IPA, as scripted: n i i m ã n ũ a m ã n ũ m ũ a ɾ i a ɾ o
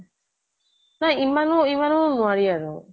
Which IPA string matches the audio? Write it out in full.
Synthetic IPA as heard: n a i m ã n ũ i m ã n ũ n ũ a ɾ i a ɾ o